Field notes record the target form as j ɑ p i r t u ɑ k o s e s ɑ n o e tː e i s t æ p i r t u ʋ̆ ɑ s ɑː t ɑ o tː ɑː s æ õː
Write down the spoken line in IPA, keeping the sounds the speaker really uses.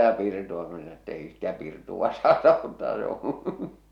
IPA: j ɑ p i r t u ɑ k o s e s ɑ n o e tː e i s t æ p i r t u ʋ̆ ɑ s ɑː t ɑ o tː ɑː s e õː

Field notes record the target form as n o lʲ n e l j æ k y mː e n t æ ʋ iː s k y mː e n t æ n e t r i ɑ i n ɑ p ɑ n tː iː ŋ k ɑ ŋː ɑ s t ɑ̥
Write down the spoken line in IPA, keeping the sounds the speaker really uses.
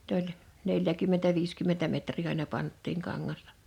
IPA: n o lʲ n e l j æ k y mː e n t æ ʋ iː s k y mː e n t æ m e t r iː ɑ i n ɑ p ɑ n tː iː ŋ k ɑ ŋː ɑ s t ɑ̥

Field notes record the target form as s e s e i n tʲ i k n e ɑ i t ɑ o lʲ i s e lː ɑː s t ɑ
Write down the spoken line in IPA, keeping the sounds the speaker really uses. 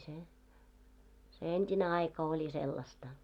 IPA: s e s e e n tʲ i n e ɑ i k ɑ o lʲ i s e lː ɑ s t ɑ

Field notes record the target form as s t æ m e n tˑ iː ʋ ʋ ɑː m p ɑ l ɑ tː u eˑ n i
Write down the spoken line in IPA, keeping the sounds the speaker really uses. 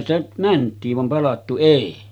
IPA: s t æ m æ n tˑ iː ʋ ʋ ɑ m p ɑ l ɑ tː u eˑ i

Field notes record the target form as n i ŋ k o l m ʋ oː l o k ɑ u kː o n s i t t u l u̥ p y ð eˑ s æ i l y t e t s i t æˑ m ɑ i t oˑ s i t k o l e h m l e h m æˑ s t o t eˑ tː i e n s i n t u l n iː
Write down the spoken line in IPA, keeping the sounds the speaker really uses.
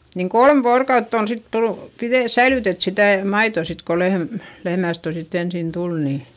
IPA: n i ŋ k o l m ʋ oː r o k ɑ u tː o n s i t t u l u̥ p i ð eˑ s æ i l y t e t s i t æˑ m ɑ i t oˑ s i t k o l e h m l e h m æˑ s t o t eˑ tː i e n s i n t u l n iː

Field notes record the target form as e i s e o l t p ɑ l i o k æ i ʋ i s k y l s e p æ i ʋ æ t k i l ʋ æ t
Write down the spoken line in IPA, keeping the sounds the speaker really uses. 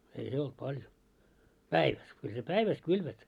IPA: e i s e o l t p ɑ l j o p æ i ʋ æ s k y l s e p æ i ʋ æ s k y l ʋ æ t

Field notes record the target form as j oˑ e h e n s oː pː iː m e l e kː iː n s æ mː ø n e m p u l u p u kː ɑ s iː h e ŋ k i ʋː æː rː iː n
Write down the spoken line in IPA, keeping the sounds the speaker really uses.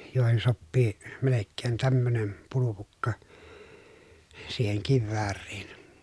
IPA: j oˑ e h e n s o pː iː m e l e kː eː n t æ mː ø n e m p u l u p u kː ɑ s iː h e ŋ k i ʋː æː rː iː n

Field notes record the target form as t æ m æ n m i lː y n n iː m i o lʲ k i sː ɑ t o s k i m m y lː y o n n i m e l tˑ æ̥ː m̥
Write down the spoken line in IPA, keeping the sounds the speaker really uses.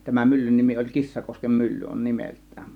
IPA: t æ m æ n m y lː y n n i m i o lʲ k i sː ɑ k o s k e m m y lː y o n n i m e l tˑ æ̥ː m̥

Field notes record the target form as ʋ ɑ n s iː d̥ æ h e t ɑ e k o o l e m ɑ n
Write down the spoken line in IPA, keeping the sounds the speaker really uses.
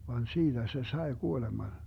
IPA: ʋ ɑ n s iː d̥ æ s e s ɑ e k u o l e m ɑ n

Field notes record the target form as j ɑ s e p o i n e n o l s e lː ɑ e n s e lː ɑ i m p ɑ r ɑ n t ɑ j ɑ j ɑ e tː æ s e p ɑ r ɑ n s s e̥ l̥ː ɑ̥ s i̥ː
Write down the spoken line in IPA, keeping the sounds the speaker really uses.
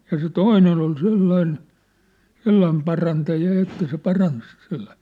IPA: j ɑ s e t o i n e n o l s e lː ɑ i n s e lː ɑ i m p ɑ r ɑ n t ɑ j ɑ j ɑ e tː æ s e p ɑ r ɑ n s s e̥ l̥ː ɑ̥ s i̥ː

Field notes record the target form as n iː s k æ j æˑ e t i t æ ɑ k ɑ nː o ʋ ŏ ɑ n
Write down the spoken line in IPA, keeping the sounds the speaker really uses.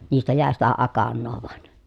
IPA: n iː s t æ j æˑ e s i t æ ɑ k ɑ nː oː ʋ ŏ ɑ n

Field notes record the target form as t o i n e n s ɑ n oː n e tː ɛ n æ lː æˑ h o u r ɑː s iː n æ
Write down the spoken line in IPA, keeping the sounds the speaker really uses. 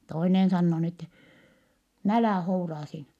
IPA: t o i n e n s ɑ nː oː n e tː ɛ n æ l æˑ h o u r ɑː s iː n æ

